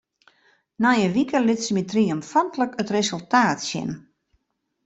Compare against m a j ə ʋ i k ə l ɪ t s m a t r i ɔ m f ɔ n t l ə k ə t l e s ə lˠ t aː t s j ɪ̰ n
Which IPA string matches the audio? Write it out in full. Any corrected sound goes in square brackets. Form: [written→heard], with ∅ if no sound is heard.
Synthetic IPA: [m→n] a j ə ʋ i k ə l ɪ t s m [a→i] t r i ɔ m f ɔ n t l ə k ə t [l→r] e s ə lˠ t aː t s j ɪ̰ n